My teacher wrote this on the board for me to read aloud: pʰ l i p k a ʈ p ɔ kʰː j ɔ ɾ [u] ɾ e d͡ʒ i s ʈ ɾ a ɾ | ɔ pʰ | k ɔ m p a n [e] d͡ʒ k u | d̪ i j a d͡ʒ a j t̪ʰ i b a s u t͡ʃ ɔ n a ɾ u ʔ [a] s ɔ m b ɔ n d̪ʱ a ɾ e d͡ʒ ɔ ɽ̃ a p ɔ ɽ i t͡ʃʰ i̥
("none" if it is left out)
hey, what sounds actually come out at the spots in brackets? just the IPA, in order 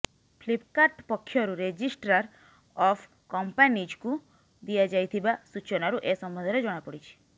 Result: u, i, e

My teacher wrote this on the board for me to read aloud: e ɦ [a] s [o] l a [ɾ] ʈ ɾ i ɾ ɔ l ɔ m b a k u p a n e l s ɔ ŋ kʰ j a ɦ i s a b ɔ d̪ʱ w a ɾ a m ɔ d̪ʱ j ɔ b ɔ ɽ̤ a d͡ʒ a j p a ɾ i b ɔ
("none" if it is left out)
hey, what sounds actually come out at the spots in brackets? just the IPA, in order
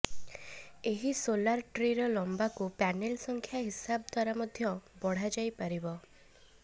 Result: i, o, ɾ

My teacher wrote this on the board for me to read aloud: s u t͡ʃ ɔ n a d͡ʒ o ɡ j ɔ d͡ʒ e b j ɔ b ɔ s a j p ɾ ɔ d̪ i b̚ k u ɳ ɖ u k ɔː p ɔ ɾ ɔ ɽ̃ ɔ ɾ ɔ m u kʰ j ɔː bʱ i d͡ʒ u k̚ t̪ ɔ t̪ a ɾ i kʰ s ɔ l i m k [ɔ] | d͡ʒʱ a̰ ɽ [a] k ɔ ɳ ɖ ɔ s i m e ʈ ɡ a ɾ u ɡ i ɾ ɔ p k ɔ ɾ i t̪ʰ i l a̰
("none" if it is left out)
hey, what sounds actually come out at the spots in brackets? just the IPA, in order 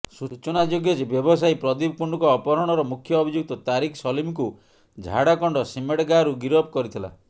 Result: u, a

